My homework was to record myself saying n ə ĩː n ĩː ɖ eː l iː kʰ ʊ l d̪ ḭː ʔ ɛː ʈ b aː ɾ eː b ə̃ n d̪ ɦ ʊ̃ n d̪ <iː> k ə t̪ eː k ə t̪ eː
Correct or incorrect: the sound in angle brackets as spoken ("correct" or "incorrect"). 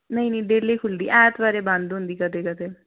correct